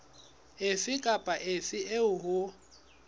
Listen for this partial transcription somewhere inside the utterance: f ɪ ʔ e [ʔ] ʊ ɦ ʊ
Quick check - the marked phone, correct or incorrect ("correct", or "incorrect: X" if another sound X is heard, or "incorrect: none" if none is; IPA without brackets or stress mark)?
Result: incorrect: none